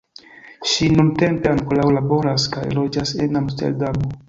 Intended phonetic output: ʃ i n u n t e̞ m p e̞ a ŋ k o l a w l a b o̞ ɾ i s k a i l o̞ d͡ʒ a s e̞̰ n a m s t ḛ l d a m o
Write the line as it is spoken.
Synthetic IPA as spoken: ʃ i n u n t e̞ m p e̞ a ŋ k o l a w l a b o̞ ɾ a s k a j l o̞ d͡ʒ a s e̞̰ n a m s t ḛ l d a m o